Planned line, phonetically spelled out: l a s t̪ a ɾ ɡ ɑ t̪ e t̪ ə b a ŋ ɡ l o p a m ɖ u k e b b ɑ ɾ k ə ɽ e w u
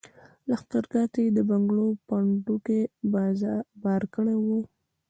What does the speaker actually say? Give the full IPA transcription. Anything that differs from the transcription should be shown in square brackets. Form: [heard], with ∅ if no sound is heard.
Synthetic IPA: l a [x] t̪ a ɾ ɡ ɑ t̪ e [d̪] ə b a ŋ ɡ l o p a [ɳ] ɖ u k e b b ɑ ɾ k ə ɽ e w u